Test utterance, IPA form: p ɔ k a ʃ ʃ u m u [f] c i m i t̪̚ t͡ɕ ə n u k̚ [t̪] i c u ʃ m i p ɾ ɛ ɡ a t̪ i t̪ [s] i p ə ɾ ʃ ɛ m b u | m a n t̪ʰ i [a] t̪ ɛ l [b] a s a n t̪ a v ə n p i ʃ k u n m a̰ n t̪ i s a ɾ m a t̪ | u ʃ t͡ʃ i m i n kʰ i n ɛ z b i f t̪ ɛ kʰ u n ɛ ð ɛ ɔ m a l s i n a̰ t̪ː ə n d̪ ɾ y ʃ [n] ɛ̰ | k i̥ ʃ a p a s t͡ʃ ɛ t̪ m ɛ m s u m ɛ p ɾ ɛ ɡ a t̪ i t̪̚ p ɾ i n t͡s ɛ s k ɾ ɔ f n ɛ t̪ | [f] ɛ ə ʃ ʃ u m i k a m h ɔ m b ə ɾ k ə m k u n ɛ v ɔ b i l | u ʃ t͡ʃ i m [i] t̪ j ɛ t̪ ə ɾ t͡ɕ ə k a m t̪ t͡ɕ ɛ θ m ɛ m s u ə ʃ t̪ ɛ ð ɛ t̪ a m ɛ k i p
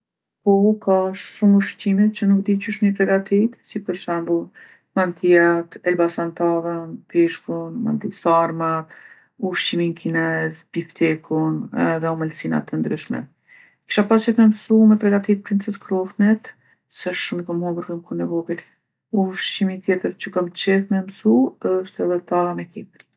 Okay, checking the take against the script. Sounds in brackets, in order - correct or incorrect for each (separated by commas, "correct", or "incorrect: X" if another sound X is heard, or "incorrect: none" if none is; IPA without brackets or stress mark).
incorrect: ʃ, incorrect: d̪, correct, correct, correct, incorrect: m, incorrect: s, correct